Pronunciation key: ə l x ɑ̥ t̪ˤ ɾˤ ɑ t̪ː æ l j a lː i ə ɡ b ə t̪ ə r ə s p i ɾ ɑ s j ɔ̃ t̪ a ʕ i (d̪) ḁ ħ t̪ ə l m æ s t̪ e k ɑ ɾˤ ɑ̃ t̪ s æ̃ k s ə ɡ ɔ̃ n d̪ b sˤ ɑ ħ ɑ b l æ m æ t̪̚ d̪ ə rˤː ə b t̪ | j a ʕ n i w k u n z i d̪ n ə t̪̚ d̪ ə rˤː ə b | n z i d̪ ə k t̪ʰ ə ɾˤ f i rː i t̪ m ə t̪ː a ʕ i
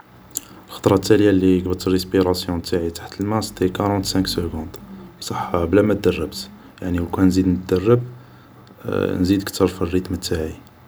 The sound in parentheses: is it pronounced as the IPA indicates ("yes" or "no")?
no